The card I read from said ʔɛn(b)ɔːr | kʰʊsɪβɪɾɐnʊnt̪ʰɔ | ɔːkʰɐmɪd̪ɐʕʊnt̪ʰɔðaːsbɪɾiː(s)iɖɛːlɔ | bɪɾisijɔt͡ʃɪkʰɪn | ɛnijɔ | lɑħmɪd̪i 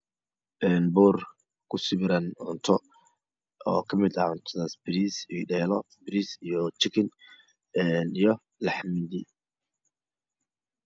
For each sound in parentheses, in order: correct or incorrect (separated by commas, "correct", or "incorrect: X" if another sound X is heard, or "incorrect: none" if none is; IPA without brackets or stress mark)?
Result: correct, correct